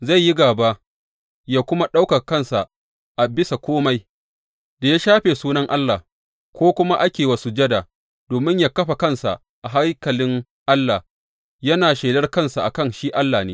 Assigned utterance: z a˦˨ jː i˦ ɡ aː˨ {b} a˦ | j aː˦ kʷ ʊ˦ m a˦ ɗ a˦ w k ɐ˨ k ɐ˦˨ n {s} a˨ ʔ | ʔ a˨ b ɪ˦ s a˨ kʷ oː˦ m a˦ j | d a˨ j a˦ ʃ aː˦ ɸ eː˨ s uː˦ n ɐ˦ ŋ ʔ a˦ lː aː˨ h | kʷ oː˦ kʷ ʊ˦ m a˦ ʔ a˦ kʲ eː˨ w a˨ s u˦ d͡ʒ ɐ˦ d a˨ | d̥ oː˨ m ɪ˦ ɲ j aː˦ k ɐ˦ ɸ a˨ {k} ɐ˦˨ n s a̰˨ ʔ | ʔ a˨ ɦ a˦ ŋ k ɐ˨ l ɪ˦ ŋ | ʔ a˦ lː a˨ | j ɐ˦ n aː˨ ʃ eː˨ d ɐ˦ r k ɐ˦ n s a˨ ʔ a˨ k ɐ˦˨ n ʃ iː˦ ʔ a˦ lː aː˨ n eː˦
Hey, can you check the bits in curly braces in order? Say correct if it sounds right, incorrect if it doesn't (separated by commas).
correct, correct, correct